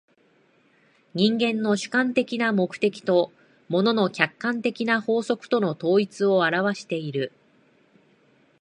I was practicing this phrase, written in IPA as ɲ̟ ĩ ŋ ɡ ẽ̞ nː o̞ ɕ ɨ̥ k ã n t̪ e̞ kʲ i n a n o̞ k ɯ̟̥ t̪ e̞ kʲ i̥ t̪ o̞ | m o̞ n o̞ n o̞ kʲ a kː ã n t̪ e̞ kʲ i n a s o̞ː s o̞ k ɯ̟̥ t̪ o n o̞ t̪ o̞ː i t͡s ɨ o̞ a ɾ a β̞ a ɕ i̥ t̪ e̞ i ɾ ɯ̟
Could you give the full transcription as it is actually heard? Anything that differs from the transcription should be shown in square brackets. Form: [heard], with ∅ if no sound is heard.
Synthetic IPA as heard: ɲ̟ ĩ ŋ ɡ ẽ̞ nː o̞ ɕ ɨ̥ k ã n t̪ e̞ kʲ i n a [m] o̞ k ɯ̟̥ t̪ e̞ kʲ i̥ t̪ o̞ | m o̞ n o̞ n o̞ kʲ a kː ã n t̪ e̞ kʲ i n a [h] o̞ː s o̞ k ɯ̟̥ t̪ o n o̞ t̪ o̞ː i t͡s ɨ o̞ a ɾ a β̞ a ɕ i̥ t̪ e̞ i ɾ ɯ̟